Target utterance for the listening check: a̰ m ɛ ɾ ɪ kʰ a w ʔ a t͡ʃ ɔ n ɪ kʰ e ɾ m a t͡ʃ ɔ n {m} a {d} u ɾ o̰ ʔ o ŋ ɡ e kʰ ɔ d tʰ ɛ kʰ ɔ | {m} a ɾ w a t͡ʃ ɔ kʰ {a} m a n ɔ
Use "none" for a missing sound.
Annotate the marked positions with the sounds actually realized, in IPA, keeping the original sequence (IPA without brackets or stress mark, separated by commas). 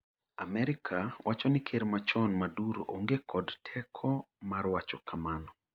m, d, m, a